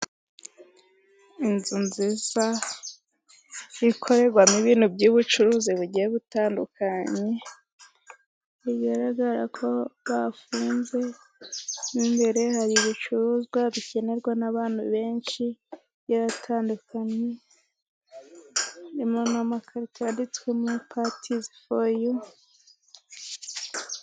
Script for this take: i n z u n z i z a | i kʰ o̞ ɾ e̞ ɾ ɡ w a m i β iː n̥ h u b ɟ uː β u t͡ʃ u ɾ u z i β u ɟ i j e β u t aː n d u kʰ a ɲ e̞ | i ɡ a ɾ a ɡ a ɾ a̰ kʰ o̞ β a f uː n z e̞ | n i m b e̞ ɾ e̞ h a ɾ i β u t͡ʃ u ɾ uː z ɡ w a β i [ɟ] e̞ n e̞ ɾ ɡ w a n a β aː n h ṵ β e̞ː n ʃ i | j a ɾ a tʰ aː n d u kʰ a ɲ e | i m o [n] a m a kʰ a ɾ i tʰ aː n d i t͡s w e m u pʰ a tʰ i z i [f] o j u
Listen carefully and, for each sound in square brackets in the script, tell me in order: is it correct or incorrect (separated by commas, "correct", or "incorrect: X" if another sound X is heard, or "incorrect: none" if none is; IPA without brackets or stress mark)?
incorrect: c, correct, correct